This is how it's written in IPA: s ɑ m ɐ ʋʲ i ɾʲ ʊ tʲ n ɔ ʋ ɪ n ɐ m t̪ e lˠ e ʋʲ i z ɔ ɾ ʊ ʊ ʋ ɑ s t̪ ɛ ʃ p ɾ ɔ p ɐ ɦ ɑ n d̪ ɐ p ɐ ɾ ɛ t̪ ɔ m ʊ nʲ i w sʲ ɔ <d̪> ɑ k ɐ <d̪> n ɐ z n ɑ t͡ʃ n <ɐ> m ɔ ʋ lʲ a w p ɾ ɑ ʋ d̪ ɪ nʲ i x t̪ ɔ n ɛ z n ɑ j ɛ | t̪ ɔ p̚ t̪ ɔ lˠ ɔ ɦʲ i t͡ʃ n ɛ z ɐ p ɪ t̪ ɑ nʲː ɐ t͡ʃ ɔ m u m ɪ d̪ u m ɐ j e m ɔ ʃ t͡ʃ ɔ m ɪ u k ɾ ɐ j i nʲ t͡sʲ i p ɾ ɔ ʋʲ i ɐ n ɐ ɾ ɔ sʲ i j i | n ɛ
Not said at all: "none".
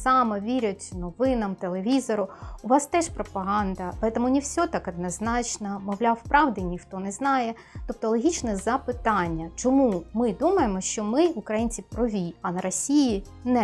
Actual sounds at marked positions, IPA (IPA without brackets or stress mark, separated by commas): t̪, d̪, ɐ